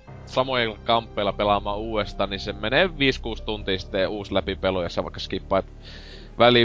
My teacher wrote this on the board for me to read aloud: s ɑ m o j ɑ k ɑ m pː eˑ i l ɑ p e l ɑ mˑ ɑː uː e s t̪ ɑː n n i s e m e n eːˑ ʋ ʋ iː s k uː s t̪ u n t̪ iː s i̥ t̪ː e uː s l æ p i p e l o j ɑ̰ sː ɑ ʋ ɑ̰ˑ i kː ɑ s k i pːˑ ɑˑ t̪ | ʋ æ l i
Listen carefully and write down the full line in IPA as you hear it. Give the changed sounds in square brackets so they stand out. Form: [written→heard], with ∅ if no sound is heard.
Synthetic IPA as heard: s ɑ m o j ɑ k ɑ m pː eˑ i l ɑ p e l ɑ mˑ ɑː uː e s t̪ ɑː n n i s e m e n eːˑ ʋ ʋ iː s k uː s t̪ u n t̪ iː s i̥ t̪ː e uː s l æ p i p e l o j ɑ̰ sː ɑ ʋ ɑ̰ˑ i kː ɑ s k i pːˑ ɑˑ t̪ | ʋ æ l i